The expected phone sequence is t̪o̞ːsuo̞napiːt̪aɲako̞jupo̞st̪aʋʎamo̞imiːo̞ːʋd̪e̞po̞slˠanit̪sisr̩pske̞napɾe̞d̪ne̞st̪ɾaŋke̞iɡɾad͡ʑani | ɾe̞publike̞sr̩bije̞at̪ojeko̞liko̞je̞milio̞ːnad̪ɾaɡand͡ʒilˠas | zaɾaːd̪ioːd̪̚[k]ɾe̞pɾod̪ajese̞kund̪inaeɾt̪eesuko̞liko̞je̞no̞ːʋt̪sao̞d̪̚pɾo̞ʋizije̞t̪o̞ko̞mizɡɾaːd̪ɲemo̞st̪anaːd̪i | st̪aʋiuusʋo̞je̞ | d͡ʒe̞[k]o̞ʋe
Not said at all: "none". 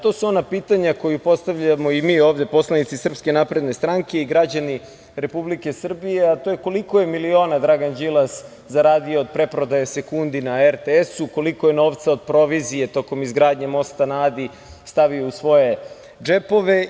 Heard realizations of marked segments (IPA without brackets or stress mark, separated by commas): p, p